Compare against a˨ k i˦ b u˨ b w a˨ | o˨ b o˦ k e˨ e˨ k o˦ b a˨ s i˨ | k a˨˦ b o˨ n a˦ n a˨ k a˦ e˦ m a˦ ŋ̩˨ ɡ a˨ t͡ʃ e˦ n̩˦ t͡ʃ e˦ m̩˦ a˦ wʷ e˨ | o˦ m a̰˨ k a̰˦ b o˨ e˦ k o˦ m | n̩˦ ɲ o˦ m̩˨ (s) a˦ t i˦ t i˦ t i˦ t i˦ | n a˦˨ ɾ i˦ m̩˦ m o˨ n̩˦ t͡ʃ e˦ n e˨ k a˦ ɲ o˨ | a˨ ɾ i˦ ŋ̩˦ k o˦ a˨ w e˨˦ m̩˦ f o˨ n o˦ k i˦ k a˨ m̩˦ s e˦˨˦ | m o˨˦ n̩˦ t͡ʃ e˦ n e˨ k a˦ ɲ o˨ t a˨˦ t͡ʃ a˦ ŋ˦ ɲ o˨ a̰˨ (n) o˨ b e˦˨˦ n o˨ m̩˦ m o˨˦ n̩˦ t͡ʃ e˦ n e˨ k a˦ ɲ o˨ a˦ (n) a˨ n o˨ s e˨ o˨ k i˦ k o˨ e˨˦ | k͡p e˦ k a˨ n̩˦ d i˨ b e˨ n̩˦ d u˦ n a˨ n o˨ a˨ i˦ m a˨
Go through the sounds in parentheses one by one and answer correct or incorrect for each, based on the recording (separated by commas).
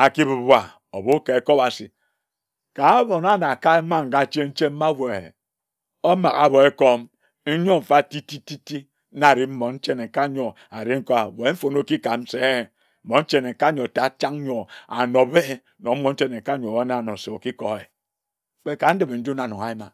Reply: incorrect, correct, correct